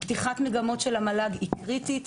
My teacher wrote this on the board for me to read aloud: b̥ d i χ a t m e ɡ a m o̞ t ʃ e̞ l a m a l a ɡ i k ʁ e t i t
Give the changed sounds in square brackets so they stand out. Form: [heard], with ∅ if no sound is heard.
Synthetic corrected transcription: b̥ [t] i χ a t m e ɡ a m o̞ t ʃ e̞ l a m a l a ɡ i k ʁ [i] t i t